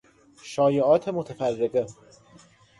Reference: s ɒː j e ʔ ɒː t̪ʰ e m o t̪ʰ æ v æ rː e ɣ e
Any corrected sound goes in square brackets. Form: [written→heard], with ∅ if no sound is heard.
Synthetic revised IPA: [s→ʃ] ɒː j e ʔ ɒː t̪ʰ e m o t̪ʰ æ [v→f] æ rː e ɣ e